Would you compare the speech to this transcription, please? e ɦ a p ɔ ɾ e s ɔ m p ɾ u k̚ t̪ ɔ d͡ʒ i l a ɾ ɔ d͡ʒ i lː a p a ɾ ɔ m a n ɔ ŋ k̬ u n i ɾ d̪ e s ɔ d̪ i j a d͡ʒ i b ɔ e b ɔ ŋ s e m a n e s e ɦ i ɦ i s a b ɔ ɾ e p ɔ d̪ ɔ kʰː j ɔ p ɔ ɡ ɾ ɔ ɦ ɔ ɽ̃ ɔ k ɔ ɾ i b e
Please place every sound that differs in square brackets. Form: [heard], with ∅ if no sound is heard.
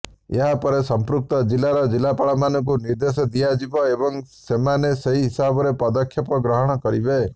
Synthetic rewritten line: e ɦ a p ɔ ɾ e s ɔ m p ɾ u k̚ t̪ ɔ d͡ʒ i l a ɾ ɔ d͡ʒ i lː a p a [ɭ] ɔ m a n ɔ ŋ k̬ u n i ɾ d̪ e s ɔ d̪ i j a d͡ʒ i b ɔ e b ɔ ŋ s e m a n e s e ɦ i ɦ i s a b ɔ ɾ e p ɔ d̪ ɔ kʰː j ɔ p ɔ ɡ ɾ ɔ ɦ ɔ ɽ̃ ɔ k ɔ ɾ i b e